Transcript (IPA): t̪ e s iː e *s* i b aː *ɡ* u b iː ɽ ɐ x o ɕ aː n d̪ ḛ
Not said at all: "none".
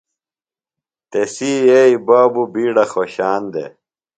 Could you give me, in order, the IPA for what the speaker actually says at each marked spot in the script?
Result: none, b

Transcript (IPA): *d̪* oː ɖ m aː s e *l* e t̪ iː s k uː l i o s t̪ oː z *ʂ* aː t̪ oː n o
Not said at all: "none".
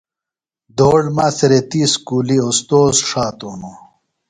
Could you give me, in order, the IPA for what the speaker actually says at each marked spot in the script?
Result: d̪, ɾ, ʂ

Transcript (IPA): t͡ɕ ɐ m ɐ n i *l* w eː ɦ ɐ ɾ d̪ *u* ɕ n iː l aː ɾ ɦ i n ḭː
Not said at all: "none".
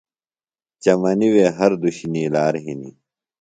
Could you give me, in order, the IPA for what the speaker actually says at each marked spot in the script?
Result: none, u

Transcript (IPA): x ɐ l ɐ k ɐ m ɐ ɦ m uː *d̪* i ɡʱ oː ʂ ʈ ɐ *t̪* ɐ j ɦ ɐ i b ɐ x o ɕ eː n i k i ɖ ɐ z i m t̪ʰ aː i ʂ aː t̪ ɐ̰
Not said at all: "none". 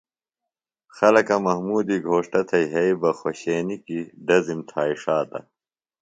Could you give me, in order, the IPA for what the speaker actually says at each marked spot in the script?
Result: d̪, t̪ʰ

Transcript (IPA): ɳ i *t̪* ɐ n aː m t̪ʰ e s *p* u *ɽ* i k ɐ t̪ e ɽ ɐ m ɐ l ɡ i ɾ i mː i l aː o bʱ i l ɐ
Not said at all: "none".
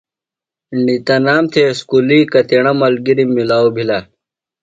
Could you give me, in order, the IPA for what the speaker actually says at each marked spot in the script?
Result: t̪, k, l

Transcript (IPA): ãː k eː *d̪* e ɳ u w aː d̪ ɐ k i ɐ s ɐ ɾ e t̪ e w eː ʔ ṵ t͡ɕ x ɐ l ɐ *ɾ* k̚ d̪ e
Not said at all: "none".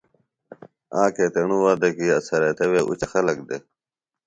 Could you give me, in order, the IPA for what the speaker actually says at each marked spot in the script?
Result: t̪, none

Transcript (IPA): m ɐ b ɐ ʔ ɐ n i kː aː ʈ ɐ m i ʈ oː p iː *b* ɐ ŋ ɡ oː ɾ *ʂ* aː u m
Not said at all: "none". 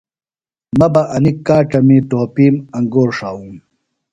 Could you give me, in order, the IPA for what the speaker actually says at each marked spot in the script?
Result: m, ʂ

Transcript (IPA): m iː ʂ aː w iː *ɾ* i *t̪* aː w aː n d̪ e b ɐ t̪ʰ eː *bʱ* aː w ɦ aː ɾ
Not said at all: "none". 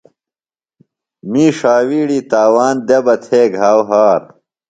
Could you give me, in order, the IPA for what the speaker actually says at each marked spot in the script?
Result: ɽ, t̪, ɡʱ

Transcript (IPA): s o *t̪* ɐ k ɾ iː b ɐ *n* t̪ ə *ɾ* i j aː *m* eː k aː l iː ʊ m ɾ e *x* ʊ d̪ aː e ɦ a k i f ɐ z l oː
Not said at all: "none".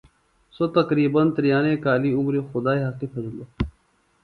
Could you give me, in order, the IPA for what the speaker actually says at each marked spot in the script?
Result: t̪, n, ɾ, n, x

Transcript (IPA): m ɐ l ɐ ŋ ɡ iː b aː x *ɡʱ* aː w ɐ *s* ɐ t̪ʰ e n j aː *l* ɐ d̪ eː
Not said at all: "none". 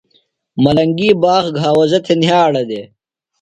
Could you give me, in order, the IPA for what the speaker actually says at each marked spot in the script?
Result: ɡʱ, z, ɽ

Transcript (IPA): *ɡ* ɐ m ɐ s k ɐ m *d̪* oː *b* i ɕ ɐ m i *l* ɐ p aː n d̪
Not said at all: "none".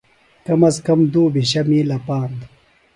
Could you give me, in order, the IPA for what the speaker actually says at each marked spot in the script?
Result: k, d̪, b, l

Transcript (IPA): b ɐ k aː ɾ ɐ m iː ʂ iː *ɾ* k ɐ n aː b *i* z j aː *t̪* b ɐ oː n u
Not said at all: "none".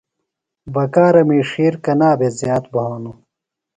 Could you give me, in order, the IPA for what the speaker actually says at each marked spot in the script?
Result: ɾ, e, t̪

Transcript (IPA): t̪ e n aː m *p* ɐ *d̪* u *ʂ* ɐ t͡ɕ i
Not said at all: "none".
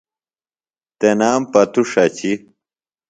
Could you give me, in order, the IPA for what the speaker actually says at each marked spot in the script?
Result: p, t̪, ʂ

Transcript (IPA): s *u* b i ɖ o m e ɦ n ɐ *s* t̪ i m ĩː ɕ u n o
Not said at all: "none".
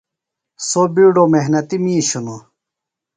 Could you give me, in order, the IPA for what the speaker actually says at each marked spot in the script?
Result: o, none

